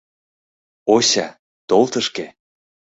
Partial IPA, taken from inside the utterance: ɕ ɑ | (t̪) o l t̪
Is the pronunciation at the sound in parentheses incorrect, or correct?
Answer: correct